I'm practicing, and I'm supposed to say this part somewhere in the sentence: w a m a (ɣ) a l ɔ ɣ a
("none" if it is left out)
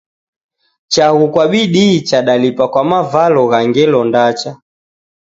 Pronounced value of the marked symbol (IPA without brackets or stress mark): v